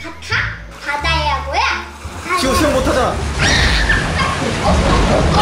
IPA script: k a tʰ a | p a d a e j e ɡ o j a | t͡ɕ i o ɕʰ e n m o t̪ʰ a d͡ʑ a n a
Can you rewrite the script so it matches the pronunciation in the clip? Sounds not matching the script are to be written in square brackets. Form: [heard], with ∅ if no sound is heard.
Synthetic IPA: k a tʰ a | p a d a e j [a] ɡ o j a | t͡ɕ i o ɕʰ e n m o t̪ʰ a d͡ʑ a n a